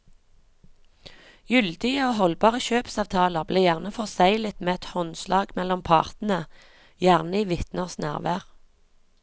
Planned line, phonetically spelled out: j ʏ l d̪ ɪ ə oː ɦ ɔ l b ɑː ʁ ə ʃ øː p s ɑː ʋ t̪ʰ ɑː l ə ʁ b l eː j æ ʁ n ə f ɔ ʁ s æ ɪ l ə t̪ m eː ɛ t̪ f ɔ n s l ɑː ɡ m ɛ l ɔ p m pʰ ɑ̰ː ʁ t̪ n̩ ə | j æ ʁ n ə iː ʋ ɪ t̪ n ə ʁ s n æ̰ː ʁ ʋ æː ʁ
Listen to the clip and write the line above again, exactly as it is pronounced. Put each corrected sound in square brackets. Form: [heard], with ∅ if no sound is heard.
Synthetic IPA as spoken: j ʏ l d̪ ɪ ə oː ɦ ɔ l b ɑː ʁ ə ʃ øː p s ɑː ʋ t̪ʰ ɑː l ə ʁ b l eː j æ ʁ n ə f ɔ ʁ s æ ɪ l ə t̪ m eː ɛ t̪ [h] ɔ n s l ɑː ɡ m ɛ l ɔ [∅] m pʰ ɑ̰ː ʁ t̪ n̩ ə | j æ ʁ n ə iː ʋ ɪ t̪ n ə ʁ s n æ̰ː ʁ ʋ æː ʁ

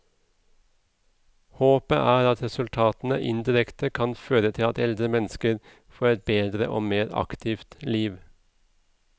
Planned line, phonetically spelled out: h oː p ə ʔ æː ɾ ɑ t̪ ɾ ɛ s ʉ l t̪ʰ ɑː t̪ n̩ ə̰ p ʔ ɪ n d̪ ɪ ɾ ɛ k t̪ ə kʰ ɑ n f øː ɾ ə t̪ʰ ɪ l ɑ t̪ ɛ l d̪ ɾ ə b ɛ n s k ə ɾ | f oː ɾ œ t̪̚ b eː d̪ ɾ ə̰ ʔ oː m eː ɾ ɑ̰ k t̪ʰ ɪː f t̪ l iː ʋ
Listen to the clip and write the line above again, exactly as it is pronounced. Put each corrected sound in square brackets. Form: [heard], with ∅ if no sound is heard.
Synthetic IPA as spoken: h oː p ə ʔ æː ɾ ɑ t̪ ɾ ɛ s ʉ l t̪ʰ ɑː t̪ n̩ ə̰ [∅] ʔ ɪ n d̪ ɪ ɾ ɛ k t̪ ə kʰ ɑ n f øː ɾ ə t̪ʰ ɪ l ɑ t̪ ɛ l d̪ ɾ ə [m] ɛ n s k ə ɾ | f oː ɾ [ɛ] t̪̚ b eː d̪ ɾ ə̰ ʔ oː m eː ɾ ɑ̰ k t̪ʰ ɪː f t̪ l iː ʋ

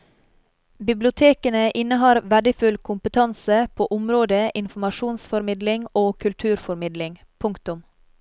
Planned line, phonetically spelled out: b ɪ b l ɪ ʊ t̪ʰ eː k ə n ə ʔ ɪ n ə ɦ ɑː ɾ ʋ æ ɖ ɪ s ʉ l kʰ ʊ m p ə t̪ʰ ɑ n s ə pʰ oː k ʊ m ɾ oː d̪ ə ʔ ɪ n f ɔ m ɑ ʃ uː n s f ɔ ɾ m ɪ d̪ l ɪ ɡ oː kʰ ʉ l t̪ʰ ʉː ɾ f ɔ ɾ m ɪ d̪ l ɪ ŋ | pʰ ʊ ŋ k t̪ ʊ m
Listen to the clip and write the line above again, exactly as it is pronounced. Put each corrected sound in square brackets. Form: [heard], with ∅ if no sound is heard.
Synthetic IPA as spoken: b ɪ b l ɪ ʊ t̪ʰ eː k ə n ə ʔ ɪ n ə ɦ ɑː ɾ ʋ æ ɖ ɪ [f] ʉ l kʰ ʊ m p ə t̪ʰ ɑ n s ə pʰ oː [ʔ] ʊ m ɾ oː d̪ ə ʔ ɪ n f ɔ m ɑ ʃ uː n s f ɔ ɾ m ɪ d̪ l ɪ [ŋ] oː kʰ ʉ l t̪ʰ ʉː ɾ f ɔ ɾ m ɪ d̪ l ɪ ŋ | pʰ ʊ ŋ k t̪ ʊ m

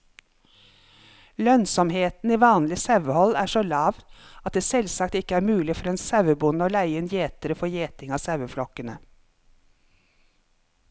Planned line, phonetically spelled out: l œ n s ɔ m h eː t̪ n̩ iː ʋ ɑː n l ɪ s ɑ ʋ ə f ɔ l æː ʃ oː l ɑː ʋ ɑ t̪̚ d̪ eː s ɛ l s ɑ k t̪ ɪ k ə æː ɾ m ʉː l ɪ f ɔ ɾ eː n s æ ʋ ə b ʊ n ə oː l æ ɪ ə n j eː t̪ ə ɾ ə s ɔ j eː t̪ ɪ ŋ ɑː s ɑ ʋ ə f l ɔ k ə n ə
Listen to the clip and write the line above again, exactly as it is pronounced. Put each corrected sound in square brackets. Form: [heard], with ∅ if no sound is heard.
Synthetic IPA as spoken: l œ n s ɔ m h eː t̪ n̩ iː ʋ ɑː n l ɪ s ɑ ʋ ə [h] ɔ l æː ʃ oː l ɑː ʋ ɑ t̪̚ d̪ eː s ɛ l s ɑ k t̪ ɪ k ə æː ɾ m ʉː l ɪ f ɔ ɾ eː n s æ ʋ ə b ʊ n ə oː l æ ɪ ə n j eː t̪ ə ɾ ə [f] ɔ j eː t̪ ɪ ŋ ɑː s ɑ ʋ ə f l ɔ k ə n ə

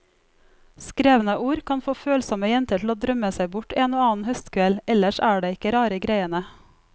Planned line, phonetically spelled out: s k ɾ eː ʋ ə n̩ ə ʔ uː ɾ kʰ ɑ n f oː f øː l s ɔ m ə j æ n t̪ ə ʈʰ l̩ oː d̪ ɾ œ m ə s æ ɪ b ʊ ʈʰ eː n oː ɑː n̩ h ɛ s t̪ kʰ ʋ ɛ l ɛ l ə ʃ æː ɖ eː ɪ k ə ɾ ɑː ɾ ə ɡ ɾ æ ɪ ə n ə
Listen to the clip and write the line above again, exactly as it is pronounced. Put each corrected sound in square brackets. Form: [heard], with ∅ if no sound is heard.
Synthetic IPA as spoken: s k ɾ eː ʋ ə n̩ ə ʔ uː ɾ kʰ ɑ n f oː f øː l s ɔ m ə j [ɛ] n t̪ ə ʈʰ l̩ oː d̪ ɾ œ m ə s æ ɪ b ʊ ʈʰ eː n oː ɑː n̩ h [œ] s t̪ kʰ ʋ ɛ l ɛ l ə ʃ æː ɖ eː ɪ k ə ɾ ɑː ɾ ə ɡ ɾ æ ɪ ə n ə

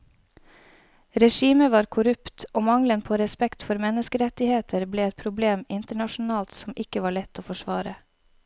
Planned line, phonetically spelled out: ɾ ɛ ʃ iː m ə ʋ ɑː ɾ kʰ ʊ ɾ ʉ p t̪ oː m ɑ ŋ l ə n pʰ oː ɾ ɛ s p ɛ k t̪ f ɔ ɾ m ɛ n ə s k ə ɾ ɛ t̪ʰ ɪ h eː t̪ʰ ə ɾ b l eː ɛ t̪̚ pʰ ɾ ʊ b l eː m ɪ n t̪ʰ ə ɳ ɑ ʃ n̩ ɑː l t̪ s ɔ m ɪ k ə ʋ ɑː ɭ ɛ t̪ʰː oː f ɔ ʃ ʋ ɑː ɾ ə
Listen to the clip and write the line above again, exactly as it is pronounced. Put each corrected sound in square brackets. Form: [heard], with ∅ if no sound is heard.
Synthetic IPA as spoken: ɾ ɛ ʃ iː m ə ʋ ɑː ɾ kʰ ʊ ɾ ʉ p t̪ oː m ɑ ŋ l ə n pʰ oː ɾ ɛ s p ɛ k t̪ f ɔ ɾ m ɛ n ə s k ə ɾ ɛ [t̪] ɪ h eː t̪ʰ ə ɾ b l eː ɛ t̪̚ pʰ ɾ ʊ b l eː m ɪ n [t̪] ə ɳ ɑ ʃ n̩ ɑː l t̪ s ɔ m ɪ k ə ʋ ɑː ɭ ɛ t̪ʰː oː f ɔ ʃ ʋ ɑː ɾ ə

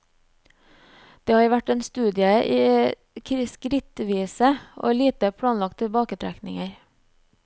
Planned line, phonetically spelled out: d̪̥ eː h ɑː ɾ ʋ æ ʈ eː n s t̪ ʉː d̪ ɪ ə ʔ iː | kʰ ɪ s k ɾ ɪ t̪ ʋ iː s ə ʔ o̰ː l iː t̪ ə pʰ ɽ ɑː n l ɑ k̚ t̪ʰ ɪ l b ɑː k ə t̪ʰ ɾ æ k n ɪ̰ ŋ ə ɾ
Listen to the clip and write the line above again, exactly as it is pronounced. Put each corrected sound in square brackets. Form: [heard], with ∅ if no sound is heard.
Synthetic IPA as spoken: d̪̥ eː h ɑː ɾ ʋ æ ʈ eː n s t̪ ʉː d̪ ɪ ə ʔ iː | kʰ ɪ s k ɾ ɪ t̪ ʋ iː s ə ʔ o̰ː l iː t̪ ə pʰ ɽ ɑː n l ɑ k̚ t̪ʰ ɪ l b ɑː k ə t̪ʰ ɾ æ k n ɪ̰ ŋ ə ɾ

